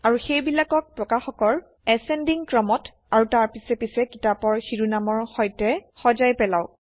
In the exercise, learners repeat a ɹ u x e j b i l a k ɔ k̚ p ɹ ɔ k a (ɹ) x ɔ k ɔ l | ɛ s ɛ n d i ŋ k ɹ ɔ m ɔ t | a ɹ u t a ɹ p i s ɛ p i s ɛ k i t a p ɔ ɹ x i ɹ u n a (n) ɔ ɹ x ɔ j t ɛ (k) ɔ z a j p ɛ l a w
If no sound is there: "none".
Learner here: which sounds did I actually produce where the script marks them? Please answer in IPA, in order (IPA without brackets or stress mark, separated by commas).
none, m, x